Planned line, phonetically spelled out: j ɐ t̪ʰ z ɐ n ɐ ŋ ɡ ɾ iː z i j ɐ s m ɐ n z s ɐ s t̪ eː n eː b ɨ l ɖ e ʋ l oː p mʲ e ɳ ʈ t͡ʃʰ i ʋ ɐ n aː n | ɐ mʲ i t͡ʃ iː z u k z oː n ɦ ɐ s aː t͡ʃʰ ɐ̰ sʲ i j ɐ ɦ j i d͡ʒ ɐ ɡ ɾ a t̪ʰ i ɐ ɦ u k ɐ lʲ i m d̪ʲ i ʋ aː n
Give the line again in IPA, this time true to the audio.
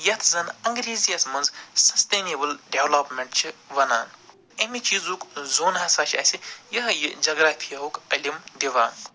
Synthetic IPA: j ɐ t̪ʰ z ɐ n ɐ ŋ ɡ ɾ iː z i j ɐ s m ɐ n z s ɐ s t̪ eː n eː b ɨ l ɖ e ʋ l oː p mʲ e ɳ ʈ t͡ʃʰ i ʋ ɐ n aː n | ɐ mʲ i t͡ʃ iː z u k z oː n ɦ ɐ s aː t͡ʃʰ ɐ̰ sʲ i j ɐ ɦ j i d͡ʒ ɐ ɡ ɾ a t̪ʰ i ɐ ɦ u k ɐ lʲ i m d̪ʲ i ʋ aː n